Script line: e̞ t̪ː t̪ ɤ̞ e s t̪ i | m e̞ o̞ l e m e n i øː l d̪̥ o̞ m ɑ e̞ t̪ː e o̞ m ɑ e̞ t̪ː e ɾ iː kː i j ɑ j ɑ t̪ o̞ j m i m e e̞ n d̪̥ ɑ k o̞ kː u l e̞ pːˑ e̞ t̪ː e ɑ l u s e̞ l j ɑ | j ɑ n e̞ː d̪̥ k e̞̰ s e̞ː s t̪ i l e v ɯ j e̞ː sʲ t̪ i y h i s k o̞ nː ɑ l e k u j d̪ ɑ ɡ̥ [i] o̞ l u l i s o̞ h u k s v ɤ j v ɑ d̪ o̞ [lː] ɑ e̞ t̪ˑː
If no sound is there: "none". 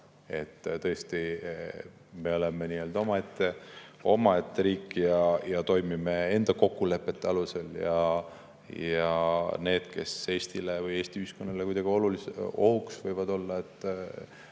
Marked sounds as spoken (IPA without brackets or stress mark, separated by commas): i, lː